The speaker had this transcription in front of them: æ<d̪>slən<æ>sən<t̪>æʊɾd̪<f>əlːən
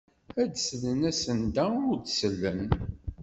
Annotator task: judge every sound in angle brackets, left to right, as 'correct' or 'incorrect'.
correct, correct, incorrect: d̪, incorrect: s

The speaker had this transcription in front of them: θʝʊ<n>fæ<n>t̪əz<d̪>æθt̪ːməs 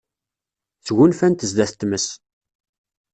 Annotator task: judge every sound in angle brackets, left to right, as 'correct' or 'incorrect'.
correct, correct, correct

